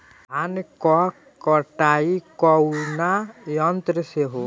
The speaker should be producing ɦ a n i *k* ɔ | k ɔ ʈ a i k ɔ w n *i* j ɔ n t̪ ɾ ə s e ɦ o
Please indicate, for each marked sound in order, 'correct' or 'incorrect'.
correct, incorrect: a

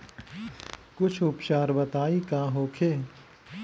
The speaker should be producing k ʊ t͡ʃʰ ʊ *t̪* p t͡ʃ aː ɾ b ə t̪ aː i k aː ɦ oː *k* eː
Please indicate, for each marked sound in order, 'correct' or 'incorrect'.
incorrect: none, incorrect: kʰ

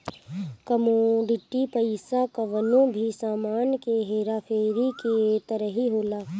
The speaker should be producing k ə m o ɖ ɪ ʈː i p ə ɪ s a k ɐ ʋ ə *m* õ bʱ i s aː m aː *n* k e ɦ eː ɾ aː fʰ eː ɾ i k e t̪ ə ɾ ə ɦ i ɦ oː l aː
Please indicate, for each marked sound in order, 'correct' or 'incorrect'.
incorrect: n, correct

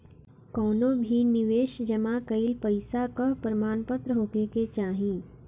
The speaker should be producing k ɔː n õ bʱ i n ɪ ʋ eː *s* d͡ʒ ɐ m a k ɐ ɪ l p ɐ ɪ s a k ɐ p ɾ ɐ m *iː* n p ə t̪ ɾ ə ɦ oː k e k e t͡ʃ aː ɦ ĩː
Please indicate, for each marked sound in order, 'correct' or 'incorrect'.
incorrect: ʃ, incorrect: aː

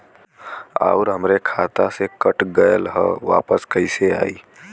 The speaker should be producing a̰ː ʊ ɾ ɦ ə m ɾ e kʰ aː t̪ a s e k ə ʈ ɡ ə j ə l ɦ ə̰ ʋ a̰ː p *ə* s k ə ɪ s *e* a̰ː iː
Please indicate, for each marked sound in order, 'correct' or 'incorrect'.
correct, correct

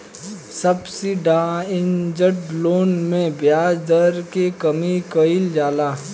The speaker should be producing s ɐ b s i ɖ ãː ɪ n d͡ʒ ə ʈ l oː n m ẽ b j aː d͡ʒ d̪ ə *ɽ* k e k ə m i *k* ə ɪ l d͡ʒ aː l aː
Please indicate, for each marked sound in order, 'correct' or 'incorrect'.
incorrect: ɾ, correct

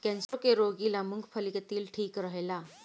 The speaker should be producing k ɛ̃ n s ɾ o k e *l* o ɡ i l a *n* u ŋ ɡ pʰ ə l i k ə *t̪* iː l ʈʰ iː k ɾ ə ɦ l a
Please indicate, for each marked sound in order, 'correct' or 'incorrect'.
incorrect: ɾ, incorrect: m, correct

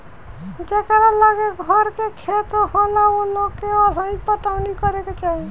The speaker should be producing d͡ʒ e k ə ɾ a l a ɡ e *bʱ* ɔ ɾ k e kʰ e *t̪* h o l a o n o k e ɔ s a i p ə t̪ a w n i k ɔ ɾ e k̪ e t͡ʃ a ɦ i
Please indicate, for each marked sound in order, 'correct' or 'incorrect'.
incorrect: ɡʱ, correct

